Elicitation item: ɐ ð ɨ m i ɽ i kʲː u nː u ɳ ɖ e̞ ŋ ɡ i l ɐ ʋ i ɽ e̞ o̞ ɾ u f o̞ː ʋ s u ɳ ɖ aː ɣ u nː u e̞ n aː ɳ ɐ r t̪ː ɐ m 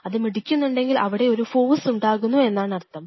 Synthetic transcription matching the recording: ɐ ð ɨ m i ɽ i kʲː u nː u ɳ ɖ e̞ ŋ ɡ i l ɐ ʋ i ɽ e̞ o̞ ɾ u f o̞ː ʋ s u ɳ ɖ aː ɣ u nː u e̞ nː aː ɳ ɐ r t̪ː ɐ m